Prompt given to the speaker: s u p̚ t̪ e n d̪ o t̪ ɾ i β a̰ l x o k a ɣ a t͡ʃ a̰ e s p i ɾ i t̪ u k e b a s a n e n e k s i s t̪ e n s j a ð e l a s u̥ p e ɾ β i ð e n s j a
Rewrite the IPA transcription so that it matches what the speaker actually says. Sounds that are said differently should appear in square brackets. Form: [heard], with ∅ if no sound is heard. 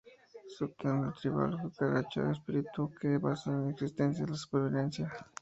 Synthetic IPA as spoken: s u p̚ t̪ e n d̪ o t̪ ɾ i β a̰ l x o k a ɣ a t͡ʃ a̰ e s p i ɾ i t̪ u k e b a s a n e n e k s i s t̪ e n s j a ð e l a s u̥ p e ɾ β i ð e n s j a